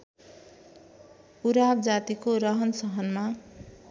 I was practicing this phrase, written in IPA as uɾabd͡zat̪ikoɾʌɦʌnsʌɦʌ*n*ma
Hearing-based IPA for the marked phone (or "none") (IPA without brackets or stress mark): n